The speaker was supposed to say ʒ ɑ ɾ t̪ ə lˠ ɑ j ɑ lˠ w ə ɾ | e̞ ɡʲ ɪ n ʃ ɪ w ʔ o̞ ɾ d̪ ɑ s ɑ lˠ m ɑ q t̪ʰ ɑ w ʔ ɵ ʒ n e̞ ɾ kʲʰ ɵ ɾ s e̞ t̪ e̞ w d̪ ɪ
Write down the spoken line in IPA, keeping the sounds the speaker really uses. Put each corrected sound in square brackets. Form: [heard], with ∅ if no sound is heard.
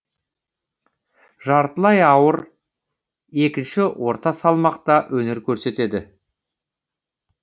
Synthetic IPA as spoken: ʒ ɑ ɾ t̪ ə lˠ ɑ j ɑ [∅] w ə ɾ | e̞ [kʲ] ɪ n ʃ ɪ w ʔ o̞ ɾ [t̪] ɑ s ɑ lˠ m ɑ q [t̪] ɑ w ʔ ɵ [∅] n e̞ ɾ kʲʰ ɵ ɾ s e̞ t̪ e̞ [∅] d̪ ɪ